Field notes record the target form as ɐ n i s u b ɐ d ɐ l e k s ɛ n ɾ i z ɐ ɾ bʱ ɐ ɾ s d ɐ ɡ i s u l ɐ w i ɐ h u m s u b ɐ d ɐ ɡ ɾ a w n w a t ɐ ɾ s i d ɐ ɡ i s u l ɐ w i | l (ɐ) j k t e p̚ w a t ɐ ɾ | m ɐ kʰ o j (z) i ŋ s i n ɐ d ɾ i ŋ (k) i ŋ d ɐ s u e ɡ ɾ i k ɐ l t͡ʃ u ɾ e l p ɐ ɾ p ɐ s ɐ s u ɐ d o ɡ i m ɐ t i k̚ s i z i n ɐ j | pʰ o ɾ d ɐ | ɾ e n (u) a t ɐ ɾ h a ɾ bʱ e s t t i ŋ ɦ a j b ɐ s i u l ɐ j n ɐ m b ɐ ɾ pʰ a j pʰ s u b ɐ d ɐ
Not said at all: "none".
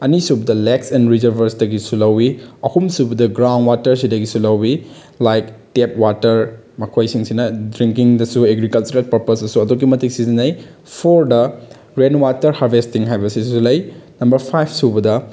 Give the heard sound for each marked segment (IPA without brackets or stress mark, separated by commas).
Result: a, s, k, w